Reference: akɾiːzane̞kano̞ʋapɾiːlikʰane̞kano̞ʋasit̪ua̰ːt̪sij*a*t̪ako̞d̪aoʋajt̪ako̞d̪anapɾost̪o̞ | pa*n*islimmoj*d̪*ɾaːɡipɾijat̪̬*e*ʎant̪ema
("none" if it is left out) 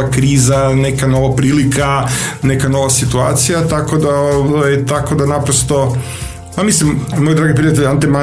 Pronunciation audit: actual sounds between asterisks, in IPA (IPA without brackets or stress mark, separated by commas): a, m, d̪, e